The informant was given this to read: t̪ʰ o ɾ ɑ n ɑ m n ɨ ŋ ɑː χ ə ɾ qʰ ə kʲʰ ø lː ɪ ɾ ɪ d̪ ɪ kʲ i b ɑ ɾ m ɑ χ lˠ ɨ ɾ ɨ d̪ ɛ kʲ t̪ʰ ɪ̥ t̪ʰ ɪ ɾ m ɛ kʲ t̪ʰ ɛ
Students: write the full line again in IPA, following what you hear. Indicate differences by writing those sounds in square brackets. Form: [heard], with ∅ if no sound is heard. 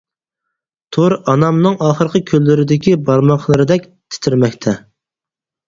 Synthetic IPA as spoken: t̪ʰ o ɾ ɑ n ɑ m n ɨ ŋ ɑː χ ə ɾ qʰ ə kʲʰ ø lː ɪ ɾ ɪ d̪ ɪ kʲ i b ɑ ɾ m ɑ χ lˠ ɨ ɾ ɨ d̪ ɛ kʲ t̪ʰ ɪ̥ t̪ʰ ɪ ɾ m ɛ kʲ t̪ʰ ɛ